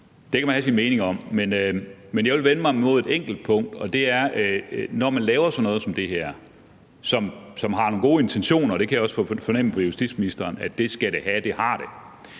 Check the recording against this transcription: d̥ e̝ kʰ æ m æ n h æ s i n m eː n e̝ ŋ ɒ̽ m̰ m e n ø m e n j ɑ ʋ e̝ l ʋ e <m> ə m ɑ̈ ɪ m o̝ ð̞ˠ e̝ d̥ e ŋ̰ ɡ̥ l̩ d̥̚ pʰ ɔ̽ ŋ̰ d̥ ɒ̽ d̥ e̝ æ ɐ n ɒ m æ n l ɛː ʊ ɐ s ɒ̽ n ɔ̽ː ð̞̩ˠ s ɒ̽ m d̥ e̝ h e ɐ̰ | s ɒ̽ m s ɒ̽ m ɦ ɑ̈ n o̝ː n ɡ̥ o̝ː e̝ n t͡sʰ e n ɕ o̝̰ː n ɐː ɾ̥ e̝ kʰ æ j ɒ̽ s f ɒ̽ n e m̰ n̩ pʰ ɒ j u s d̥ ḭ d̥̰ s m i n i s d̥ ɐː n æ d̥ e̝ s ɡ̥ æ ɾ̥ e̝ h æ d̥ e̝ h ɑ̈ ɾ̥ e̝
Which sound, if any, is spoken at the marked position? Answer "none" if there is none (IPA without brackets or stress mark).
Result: n